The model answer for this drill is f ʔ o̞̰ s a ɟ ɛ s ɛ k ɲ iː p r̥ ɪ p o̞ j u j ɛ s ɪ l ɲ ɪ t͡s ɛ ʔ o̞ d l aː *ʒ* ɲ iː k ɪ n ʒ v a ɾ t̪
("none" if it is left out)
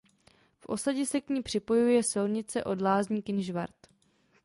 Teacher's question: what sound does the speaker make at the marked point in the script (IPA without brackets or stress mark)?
z